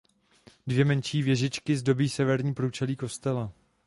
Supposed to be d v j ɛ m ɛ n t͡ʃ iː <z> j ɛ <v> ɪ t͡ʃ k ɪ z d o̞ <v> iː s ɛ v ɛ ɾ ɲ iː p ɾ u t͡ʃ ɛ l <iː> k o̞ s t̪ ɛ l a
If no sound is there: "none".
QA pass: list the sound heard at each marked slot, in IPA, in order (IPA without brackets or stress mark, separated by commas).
v, ʒ, b, iː